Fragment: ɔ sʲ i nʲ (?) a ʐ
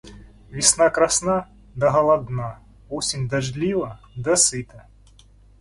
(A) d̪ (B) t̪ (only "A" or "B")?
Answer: A